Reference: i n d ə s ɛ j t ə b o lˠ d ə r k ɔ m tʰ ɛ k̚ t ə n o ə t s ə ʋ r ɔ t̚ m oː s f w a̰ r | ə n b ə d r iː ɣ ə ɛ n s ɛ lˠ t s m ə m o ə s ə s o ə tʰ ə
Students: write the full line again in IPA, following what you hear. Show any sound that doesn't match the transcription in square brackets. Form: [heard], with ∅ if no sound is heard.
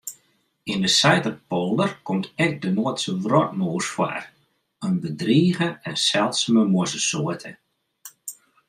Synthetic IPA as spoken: i n d ə s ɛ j t ə [p] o lˠ d ə r k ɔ m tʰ ɛ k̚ [d] ə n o ə t s ə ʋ r ɔ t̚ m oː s f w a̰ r | ə n b ə d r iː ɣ ə ɛ n s ɛ lˠ t s m ə m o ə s ə s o ə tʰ ə